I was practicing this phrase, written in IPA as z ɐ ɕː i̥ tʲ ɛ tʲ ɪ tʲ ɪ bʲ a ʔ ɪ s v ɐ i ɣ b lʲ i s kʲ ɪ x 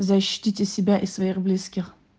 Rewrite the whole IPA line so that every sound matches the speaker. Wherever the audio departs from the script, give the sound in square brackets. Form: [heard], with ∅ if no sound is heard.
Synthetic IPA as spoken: z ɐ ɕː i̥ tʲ [i] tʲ ɪ [sʲ] ɪ bʲ a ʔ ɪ s v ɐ i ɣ b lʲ i s kʲ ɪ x